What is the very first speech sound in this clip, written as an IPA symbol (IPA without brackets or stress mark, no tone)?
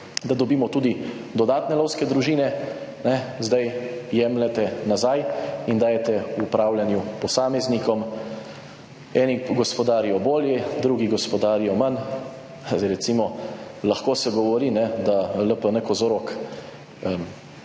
d̪